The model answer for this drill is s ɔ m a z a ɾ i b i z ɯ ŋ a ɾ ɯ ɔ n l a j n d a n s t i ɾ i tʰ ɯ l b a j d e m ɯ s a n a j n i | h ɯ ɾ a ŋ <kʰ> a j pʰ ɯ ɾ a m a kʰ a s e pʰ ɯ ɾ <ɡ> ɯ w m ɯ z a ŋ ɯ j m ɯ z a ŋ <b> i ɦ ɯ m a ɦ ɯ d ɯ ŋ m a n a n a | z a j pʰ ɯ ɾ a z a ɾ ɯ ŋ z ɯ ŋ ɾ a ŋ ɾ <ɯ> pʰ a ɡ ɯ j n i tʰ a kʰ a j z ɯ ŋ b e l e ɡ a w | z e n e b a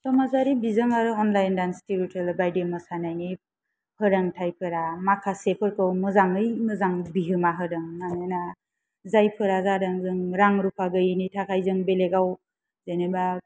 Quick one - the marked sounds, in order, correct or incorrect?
incorrect: tʰ, incorrect: k, correct, incorrect: u

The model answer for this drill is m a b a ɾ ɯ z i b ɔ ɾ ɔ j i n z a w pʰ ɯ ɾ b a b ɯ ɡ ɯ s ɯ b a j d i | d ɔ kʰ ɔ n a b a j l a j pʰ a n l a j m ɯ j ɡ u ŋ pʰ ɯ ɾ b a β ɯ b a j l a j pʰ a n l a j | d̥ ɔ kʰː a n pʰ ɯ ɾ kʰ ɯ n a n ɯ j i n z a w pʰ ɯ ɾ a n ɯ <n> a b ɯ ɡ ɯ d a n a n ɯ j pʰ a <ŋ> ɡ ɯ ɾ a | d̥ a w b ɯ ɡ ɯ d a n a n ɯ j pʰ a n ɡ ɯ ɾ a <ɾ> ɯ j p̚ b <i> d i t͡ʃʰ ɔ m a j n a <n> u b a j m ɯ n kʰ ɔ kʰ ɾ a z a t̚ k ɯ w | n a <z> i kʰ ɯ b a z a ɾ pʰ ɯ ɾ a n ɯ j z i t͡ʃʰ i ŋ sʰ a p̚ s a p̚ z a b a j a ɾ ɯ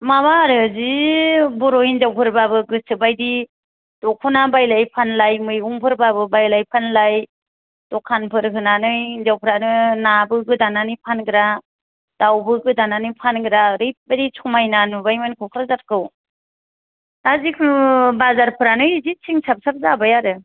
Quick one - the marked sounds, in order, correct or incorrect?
correct, incorrect: n, correct, incorrect: a, correct, correct

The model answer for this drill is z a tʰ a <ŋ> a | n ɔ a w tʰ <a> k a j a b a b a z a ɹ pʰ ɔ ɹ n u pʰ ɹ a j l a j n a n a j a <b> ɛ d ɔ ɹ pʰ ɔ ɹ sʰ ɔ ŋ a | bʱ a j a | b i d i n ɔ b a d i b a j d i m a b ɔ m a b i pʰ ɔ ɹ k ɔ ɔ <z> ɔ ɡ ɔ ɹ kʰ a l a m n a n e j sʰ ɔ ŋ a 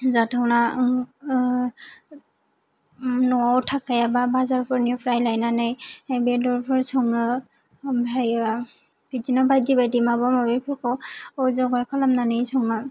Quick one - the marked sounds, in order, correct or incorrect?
incorrect: n, correct, correct, correct

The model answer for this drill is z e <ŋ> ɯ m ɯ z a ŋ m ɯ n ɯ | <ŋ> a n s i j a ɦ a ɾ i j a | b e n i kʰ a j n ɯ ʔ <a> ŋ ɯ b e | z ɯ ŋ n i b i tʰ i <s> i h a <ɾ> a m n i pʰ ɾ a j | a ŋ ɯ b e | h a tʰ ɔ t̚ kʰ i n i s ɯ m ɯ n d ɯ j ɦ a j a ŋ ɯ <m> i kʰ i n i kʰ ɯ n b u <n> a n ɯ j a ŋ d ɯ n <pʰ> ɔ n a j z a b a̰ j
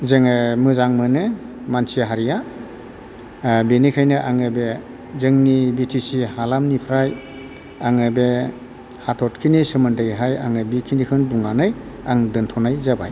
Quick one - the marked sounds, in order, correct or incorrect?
correct, incorrect: m, correct, correct, incorrect: l, incorrect: b, incorrect: ŋ, incorrect: tʰ

